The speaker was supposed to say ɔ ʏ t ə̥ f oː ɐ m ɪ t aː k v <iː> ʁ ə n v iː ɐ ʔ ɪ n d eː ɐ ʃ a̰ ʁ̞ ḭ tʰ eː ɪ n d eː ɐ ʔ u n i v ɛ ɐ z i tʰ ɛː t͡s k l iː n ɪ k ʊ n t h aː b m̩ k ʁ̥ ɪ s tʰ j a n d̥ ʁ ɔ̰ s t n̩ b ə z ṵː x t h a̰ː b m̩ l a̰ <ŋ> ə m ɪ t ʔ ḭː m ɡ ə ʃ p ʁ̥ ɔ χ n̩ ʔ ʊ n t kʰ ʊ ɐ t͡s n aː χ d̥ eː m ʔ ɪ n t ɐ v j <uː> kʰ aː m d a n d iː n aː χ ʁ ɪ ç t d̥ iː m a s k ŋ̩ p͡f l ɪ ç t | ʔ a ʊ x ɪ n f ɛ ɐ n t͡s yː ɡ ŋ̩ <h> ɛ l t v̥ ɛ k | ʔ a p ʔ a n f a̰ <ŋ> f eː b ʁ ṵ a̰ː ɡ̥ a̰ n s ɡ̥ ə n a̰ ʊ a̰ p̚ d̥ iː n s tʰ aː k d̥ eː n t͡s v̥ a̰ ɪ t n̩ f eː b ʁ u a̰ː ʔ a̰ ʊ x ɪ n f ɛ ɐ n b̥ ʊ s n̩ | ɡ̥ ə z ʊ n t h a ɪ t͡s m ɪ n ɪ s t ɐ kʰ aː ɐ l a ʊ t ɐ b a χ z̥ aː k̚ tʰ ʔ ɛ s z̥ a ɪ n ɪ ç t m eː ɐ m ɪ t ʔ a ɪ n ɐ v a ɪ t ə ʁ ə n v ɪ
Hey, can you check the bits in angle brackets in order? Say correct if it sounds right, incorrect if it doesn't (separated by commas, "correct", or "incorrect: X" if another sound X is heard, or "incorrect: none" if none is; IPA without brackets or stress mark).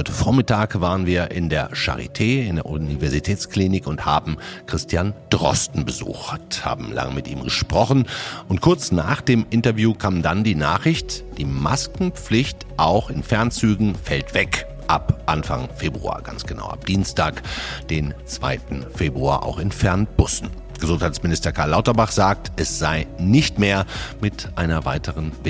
incorrect: aː, correct, correct, incorrect: f, correct